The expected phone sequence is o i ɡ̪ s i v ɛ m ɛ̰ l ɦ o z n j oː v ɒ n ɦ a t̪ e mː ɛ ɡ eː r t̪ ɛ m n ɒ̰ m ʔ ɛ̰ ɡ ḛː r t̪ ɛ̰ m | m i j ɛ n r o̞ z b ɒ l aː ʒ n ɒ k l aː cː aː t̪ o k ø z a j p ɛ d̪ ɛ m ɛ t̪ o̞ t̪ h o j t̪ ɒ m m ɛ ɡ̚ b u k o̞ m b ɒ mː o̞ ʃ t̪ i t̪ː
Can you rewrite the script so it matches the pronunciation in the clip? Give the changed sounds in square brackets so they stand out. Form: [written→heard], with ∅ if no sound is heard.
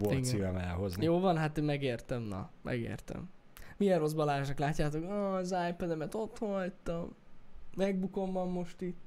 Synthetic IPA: o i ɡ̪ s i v ɛ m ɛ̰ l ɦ o z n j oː v ɒ n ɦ a t̪ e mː ɛ ɡ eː r t̪ ɛ m n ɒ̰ m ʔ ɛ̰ ɡ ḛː r t̪ ɛ̰ m | m i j ɛ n r o̞ z b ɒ l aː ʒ n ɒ k l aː cː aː t̪ o k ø z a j p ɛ d̪ ɛ m ɛ t̪ o̞ t̪ h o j t̪ ɒ m m ɛ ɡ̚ b u k o̞ m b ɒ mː o̞ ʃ t̪ i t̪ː